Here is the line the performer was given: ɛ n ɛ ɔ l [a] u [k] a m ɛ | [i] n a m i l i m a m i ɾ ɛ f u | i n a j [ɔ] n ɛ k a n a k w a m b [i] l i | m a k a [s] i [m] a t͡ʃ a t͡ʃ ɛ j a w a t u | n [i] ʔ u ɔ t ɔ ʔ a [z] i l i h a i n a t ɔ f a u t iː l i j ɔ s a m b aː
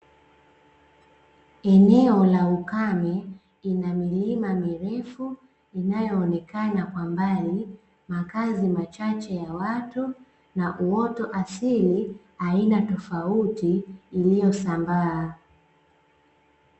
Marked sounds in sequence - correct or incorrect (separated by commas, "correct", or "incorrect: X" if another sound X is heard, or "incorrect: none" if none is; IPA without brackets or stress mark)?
correct, correct, correct, incorrect: ɔː, incorrect: a, incorrect: z, correct, incorrect: a, incorrect: s